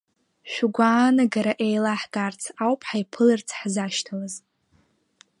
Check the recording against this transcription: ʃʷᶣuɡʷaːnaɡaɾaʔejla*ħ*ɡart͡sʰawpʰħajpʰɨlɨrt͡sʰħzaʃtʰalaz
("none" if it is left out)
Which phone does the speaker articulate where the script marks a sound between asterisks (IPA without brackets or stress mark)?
ħ